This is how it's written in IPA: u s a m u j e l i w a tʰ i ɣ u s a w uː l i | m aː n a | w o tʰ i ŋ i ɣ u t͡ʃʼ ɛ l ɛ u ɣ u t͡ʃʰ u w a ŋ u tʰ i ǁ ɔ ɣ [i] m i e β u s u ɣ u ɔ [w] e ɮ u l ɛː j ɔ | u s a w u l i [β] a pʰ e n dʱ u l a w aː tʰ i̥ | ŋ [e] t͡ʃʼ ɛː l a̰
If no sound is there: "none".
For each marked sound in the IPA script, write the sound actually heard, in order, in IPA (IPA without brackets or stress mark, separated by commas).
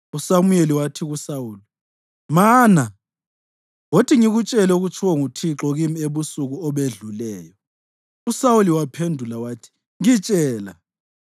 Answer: i, β, w, i